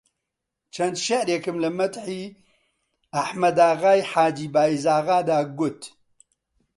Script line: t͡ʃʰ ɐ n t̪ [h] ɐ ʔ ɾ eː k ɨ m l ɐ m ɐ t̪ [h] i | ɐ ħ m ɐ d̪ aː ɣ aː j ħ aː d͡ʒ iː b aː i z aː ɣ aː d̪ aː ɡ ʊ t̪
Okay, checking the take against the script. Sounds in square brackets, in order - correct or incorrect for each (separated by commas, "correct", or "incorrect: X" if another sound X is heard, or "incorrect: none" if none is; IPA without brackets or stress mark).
incorrect: ʃ, incorrect: ħ